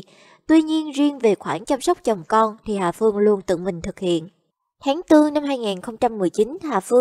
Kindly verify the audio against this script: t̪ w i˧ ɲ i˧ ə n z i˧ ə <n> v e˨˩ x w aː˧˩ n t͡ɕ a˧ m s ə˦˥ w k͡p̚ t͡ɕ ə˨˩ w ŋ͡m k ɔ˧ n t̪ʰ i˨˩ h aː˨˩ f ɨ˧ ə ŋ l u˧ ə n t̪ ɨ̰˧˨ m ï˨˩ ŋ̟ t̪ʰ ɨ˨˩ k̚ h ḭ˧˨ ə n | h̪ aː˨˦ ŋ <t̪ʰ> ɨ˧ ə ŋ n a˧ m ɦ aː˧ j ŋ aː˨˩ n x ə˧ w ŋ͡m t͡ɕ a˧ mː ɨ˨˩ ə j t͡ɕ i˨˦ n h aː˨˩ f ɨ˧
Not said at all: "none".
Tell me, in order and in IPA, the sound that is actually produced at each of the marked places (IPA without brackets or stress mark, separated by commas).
n, t̪